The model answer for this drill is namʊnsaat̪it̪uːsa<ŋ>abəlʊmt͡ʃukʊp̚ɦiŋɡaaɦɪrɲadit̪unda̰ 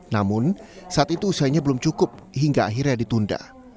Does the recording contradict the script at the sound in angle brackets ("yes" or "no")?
yes